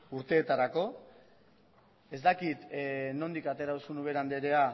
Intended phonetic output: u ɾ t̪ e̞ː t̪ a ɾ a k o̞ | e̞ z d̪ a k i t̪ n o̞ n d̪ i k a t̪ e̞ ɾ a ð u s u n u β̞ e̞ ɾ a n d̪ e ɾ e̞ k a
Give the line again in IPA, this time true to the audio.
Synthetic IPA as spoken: u ɾ t̪ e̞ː t̪ a ɾ a k o̞ | e̞ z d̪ a k i t̪ n o̞ n d̪ i k a t̪ e̞ ɾ a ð u s u n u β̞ e̞ ɾ a n d̪ e ɾ e̞ a